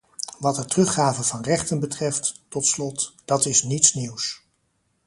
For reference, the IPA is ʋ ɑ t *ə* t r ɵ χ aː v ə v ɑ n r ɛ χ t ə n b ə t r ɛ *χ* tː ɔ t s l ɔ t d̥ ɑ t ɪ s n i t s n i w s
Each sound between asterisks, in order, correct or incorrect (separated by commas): correct, incorrect